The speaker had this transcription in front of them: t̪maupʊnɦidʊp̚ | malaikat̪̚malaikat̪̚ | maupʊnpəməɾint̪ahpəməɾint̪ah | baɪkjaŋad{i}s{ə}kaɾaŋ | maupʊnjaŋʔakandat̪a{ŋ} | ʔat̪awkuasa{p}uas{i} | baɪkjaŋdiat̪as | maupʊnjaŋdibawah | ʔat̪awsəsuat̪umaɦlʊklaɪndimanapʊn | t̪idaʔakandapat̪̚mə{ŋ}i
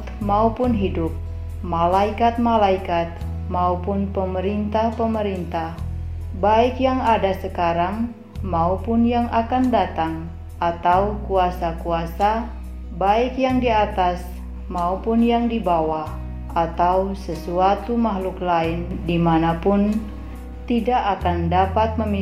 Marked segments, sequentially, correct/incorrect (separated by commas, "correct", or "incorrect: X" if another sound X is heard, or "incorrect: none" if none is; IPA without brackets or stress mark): incorrect: a, correct, correct, incorrect: k, incorrect: a, incorrect: m